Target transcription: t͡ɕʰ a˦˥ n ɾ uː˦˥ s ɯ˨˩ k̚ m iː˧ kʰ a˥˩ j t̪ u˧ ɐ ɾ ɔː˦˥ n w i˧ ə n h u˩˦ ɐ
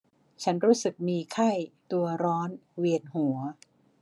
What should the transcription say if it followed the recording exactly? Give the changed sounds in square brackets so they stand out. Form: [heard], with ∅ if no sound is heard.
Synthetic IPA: t͡ɕʰ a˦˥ n ɾ uː˦˥ s ɯ˨˩ k̚ m iː˧ kʰ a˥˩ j t̪ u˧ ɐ ɾ ɔː˦˥ n w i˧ ə n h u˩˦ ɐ